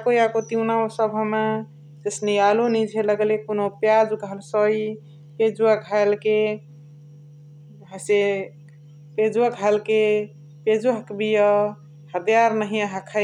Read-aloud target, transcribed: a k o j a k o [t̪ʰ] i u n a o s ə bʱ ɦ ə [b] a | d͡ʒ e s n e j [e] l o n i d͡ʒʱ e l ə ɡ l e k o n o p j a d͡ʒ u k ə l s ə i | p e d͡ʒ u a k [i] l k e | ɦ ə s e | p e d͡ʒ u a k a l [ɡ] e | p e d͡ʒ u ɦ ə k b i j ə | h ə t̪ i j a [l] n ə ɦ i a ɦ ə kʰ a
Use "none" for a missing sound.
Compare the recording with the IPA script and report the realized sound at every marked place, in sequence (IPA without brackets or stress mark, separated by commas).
t̪, m, a, a, k, ɾ